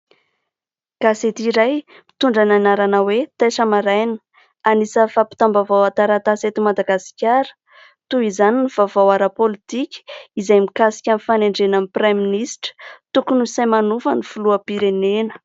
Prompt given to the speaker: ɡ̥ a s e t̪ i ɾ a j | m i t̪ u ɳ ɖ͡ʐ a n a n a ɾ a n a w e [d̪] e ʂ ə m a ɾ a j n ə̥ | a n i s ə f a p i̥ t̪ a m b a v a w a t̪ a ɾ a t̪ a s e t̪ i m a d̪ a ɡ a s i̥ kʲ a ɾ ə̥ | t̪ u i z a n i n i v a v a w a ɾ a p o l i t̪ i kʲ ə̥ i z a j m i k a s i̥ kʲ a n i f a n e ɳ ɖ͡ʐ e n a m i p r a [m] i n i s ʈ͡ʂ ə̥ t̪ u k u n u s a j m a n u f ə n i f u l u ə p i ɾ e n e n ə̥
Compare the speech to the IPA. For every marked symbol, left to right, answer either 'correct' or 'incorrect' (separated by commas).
incorrect, correct